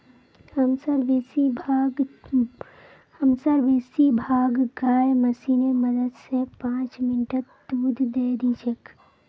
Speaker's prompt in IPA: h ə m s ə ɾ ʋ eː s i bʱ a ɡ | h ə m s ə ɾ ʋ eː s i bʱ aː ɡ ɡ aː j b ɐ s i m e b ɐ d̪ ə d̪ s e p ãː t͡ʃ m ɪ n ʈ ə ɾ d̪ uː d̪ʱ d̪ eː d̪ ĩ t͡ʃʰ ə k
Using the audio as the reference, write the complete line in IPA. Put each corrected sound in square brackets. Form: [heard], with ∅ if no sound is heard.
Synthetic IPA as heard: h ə m s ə ɾ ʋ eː s i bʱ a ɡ | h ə m s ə ɾ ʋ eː s i bʱ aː ɡ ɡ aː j [m] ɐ s i [n] e [m] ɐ d̪ ə d̪ s e p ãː t͡ʃ m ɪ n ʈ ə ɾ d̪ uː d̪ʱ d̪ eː d̪ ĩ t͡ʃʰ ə k